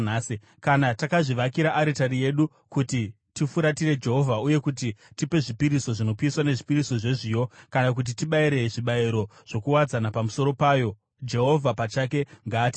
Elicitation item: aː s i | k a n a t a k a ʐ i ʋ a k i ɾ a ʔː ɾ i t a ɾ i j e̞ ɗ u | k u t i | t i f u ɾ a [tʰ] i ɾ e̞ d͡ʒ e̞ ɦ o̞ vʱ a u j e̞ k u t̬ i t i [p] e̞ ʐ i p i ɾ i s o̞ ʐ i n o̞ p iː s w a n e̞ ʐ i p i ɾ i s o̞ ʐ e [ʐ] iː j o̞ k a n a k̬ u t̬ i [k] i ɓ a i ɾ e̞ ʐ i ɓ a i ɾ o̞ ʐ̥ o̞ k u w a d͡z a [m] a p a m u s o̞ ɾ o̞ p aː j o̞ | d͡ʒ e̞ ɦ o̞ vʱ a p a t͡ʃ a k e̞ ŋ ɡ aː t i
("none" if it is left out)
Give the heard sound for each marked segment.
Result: t, p, ʐ, t, n

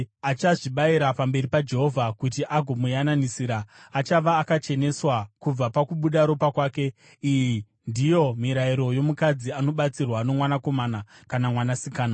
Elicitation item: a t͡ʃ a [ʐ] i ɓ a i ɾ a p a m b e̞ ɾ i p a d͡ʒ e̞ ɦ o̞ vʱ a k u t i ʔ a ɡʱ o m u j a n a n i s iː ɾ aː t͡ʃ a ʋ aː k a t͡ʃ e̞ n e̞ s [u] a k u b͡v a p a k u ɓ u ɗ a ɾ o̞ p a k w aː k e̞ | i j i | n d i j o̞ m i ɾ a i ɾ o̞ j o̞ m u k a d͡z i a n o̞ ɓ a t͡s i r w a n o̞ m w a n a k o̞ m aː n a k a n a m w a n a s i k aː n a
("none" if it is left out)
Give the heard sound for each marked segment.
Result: ʐ, w

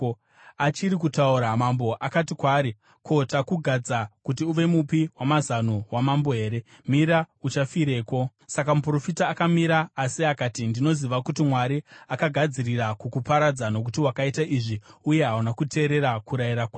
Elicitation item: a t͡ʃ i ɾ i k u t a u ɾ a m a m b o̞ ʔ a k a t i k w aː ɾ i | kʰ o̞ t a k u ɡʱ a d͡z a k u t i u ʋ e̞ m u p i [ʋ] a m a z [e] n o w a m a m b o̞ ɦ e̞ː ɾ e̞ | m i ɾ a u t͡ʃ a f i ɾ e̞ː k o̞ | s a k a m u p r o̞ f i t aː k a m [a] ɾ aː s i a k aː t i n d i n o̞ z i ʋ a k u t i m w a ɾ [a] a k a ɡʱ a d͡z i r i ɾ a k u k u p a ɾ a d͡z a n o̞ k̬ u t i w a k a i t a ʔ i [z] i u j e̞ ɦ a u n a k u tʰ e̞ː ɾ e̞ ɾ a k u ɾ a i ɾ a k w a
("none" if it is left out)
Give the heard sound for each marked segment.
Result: w, a, i, i, ʐ

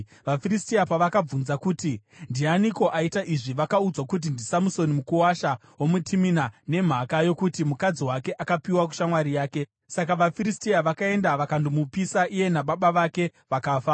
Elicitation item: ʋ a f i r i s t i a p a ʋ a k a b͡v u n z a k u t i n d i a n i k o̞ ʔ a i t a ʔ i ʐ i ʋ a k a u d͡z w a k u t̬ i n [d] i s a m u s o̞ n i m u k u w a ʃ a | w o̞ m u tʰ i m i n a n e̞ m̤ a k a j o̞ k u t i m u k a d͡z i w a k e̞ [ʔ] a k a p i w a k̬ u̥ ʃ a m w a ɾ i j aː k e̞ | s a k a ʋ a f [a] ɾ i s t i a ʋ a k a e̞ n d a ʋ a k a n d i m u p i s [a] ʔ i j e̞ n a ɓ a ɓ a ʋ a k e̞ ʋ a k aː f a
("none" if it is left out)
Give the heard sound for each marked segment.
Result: d, ʔ, i, a

